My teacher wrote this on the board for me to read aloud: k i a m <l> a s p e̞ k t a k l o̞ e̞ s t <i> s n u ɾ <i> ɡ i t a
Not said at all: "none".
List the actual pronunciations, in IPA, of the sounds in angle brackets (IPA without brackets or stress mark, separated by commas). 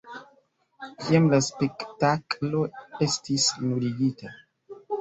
l, i, i